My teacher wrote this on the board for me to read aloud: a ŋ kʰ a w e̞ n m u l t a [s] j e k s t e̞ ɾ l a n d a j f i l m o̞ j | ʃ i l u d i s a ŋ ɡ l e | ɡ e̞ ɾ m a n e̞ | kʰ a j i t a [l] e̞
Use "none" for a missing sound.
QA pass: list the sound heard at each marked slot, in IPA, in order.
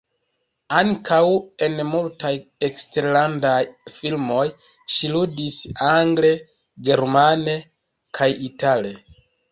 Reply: none, l

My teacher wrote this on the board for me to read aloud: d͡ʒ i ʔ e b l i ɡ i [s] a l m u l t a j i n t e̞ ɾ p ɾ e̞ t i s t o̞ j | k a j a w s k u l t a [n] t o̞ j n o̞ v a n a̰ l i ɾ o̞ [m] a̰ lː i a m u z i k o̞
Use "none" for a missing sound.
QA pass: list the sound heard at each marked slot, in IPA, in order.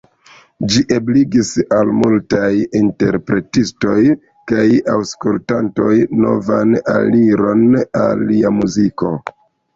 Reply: s, n, n

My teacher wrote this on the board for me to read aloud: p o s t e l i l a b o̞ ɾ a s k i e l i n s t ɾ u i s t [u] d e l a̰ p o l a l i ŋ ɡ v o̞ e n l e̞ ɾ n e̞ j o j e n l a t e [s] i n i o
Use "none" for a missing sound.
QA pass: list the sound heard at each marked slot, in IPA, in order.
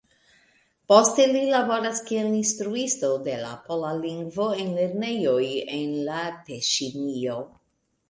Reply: o, ʃ

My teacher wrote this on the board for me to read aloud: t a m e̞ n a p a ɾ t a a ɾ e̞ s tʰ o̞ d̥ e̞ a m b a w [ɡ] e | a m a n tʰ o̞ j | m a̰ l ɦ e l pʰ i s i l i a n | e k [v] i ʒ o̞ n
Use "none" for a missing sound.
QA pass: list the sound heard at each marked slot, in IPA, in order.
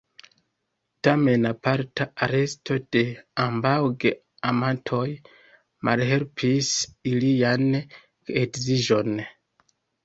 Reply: ɡ, z

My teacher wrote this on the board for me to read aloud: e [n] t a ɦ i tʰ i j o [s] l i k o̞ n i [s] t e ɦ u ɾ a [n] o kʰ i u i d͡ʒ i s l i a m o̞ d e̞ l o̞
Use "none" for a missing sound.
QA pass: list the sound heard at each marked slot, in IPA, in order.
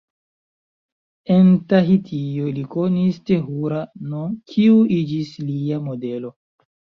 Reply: n, none, s, n

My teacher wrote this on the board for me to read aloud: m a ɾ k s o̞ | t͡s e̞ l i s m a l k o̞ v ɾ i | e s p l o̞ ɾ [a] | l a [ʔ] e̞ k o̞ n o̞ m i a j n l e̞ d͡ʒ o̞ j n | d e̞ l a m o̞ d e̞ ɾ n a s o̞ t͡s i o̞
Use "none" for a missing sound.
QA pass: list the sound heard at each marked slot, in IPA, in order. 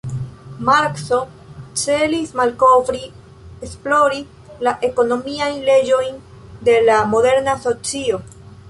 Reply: i, ʔ

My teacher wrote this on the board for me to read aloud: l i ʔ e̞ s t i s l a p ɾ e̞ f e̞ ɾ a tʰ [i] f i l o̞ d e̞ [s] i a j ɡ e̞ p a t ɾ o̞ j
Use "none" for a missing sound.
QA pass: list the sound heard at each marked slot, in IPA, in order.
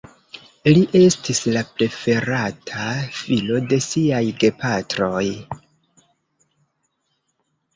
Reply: a, s

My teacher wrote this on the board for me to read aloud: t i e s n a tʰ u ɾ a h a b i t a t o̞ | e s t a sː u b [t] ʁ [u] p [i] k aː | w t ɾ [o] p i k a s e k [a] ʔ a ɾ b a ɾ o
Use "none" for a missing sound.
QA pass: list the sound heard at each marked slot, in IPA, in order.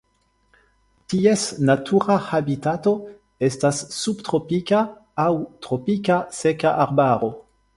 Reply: t, o, i, o, a

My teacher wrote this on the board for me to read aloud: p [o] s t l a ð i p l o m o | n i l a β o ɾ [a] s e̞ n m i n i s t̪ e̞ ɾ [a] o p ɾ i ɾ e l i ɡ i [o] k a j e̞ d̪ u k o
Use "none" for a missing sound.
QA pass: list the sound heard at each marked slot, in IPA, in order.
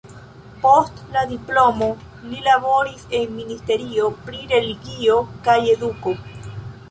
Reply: o, i, i, o

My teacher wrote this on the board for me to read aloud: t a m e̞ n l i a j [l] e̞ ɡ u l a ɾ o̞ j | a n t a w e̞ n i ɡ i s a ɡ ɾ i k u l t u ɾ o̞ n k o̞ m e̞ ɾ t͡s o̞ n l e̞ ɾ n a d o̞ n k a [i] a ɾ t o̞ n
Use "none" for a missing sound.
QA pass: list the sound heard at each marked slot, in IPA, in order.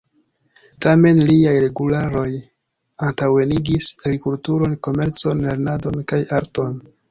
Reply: ɾ, j

